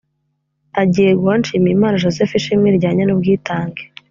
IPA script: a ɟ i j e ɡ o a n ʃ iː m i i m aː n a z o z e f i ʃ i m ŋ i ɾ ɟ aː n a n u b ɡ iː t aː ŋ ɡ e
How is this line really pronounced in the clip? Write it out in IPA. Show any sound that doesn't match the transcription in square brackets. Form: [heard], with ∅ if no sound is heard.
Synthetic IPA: a ɟ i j e ɡ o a n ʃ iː m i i m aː n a [ʒ] o z e f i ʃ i m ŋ i ɾ ɟ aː [ɲ] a n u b ɡ iː t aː ŋ ɡ e